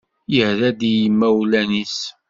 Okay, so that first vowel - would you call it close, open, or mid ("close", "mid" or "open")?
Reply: mid